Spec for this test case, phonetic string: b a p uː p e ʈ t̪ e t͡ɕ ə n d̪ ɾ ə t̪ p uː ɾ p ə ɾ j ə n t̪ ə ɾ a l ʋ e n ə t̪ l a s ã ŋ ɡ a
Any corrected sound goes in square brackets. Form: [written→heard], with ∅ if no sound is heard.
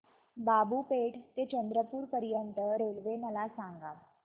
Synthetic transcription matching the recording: b a [p→b] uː p e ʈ t̪ e t͡ɕ ə n d̪ ɾ ə [t̪→∅] p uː ɾ p ə ɾ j ə n t̪ ə ɾ [a→e] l ʋ e n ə [t̪→∅] l a s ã ŋ ɡ a